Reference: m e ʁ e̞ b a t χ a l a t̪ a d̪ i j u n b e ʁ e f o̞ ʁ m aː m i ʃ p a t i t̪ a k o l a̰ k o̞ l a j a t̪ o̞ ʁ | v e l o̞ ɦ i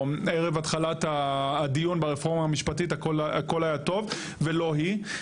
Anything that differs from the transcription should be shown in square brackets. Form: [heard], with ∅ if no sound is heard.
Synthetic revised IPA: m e ʁ e̞ [v] a t χ a l a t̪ a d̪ i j u n b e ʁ e f o̞ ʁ m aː m i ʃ p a t i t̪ a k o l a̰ k o̞ l a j a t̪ o̞ [v] | v e l o̞ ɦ i